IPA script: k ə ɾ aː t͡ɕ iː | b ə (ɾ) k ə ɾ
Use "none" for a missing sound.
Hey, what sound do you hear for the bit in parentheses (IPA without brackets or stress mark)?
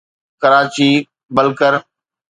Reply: l